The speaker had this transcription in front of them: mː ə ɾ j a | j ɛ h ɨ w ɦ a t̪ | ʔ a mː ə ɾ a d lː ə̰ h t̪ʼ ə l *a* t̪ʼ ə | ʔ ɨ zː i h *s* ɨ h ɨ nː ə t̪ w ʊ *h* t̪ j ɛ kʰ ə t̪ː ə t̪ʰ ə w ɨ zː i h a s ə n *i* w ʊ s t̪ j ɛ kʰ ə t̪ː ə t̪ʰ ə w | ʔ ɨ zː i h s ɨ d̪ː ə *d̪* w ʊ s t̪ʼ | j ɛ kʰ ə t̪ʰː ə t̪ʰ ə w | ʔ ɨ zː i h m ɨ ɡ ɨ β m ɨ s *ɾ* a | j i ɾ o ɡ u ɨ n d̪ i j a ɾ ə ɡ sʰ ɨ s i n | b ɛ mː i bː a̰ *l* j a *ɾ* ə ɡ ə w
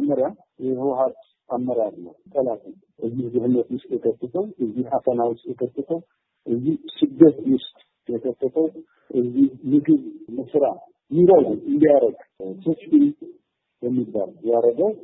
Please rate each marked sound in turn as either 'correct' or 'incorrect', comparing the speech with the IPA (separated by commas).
correct, incorrect, incorrect, incorrect, incorrect, correct, correct, correct